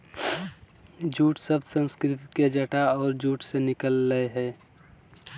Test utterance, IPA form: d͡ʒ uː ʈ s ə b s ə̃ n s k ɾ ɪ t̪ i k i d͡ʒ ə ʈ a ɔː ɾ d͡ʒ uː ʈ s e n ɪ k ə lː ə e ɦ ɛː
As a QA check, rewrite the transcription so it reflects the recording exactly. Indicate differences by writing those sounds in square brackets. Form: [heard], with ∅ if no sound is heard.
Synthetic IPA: d͡ʒ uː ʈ s ə b s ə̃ n s k ɾ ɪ t̪ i k [e] d͡ʒ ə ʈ a ɔː ɾ d͡ʒ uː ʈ s e n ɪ k ə lː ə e ɦ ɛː